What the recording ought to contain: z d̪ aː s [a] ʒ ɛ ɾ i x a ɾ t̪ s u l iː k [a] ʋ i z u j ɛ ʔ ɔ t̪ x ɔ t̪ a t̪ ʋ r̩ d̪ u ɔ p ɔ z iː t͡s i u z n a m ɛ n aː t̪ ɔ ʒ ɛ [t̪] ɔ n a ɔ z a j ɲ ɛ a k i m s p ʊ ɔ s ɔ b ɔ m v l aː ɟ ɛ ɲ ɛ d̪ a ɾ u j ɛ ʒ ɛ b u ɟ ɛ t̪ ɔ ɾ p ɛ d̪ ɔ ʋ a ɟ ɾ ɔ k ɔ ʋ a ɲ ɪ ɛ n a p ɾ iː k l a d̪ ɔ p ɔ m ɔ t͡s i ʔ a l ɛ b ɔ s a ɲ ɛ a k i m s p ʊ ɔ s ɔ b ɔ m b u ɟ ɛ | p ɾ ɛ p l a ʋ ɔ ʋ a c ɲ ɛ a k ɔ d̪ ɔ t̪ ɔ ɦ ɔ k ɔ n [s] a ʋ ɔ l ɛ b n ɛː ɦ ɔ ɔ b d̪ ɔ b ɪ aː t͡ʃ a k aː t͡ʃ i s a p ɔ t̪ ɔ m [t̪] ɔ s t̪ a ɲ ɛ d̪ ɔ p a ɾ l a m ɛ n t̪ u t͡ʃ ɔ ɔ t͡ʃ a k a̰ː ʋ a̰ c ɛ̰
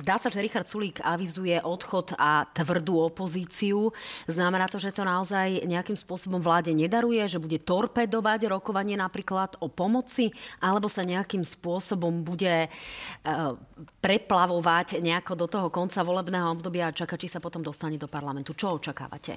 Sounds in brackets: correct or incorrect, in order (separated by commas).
correct, correct, correct, incorrect, incorrect